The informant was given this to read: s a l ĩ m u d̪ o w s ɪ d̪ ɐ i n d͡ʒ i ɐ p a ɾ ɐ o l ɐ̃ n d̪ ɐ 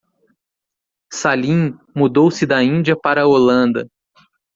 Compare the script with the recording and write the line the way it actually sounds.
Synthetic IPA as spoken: s a l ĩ m u d̪ o w s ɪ d̪ ɐ ĩ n d͡ʒ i ɐ p a ɾ ɐ o l ɐ̃ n d̪ ɐ